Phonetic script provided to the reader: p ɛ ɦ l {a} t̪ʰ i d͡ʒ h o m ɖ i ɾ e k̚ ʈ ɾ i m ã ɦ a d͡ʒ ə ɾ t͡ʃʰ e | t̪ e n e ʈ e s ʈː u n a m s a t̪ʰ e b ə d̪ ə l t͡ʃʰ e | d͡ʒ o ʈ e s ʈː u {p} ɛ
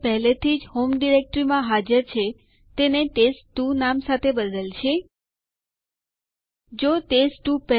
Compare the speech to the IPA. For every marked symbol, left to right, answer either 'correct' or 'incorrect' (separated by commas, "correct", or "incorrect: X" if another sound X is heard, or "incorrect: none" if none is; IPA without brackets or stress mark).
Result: incorrect: e, correct